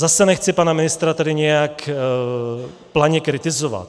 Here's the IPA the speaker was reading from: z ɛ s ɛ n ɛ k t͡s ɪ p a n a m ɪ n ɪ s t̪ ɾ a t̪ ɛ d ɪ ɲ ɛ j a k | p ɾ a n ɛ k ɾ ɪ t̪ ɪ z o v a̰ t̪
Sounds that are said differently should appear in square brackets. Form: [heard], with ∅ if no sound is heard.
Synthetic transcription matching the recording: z [a] s ɛ n ɛ [x] t͡s ɪ p a n a m ɪ n ɪ s t̪ ɾ a t̪ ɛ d ɪ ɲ ɛ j a k | p [l] a [ɲ] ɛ k ɾ ɪ t̪ ɪ z o v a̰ t̪